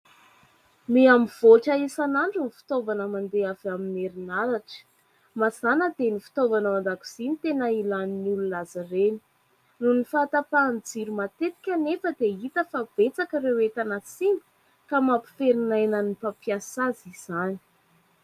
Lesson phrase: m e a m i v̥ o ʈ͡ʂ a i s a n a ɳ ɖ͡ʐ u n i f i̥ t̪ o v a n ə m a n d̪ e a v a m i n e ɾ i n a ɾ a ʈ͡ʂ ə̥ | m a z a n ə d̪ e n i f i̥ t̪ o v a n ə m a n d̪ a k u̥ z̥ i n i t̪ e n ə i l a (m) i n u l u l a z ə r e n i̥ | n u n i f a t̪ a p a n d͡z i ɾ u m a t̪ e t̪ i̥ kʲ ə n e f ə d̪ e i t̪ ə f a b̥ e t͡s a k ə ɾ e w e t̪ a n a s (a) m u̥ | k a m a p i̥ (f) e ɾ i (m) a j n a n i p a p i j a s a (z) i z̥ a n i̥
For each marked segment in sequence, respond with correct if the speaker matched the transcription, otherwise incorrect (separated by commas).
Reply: incorrect, incorrect, correct, incorrect, correct